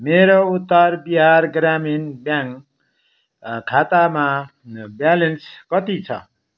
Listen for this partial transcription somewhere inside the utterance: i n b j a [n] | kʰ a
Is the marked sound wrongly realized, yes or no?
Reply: yes